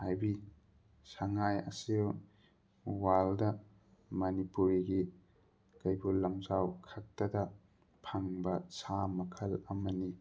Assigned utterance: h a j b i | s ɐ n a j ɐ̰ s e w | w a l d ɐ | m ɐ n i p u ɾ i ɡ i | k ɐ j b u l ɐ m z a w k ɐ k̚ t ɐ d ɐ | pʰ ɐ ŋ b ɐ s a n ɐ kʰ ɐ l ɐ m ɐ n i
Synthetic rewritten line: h a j b i | s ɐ ŋ a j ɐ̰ s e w | w a l d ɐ | m ɐ n i p u ɾ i ɡ i | k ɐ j b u l ɐ m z a w kʰ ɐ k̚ t ɐ d ɐ | pʰ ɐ ŋ b ɐ s a m ɐ kʰ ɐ l ɐ m ɐ n i